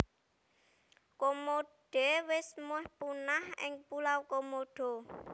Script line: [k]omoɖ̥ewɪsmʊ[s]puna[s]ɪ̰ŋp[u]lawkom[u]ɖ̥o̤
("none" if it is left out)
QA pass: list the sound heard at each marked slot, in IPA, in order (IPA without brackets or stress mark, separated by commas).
k, h, h, u, o